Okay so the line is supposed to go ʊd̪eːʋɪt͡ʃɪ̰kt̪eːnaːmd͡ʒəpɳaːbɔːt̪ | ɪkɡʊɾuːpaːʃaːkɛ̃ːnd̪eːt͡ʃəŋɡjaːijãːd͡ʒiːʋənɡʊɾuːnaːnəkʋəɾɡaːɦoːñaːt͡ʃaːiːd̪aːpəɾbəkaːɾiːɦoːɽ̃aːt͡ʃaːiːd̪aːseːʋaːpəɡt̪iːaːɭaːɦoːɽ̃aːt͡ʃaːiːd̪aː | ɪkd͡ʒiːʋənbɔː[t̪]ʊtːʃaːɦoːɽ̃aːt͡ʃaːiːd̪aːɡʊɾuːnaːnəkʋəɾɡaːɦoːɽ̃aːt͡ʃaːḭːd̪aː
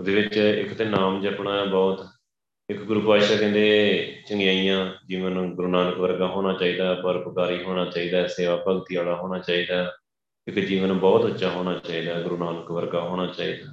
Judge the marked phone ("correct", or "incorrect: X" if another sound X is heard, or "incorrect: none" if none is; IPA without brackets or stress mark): correct